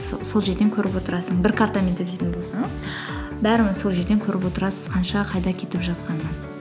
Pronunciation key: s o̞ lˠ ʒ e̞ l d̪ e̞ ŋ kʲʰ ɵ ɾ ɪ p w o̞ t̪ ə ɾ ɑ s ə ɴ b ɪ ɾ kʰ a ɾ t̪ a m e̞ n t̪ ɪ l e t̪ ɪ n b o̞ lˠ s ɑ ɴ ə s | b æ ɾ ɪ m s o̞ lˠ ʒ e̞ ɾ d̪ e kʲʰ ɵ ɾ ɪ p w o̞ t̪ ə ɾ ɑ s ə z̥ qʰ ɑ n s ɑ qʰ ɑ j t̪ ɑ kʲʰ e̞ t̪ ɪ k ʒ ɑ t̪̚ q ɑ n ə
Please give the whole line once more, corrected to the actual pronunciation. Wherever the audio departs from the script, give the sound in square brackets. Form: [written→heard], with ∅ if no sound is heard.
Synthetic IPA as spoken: s o̞ lˠ ʒ e̞ [l→ɾ] d̪ e̞ ŋ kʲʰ ɵ ɾ ɪ p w o̞ t̪ ə ɾ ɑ s ə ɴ b ɪ ɾ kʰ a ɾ t̪ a m e̞ n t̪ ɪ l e t̪ ɪ n b o̞ lˠ s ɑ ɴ ə [s→z] | b æ ɾ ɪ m s o̞ lˠ ʒ e̞ ɾ d̪ e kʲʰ ɵ ɾ ɪ p w o̞ t̪ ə ɾ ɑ s ə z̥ qʰ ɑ n [s→ʃ] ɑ qʰ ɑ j [t̪→d̪] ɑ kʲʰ e̞ t̪ ɪ [k→p] ʒ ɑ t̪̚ q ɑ n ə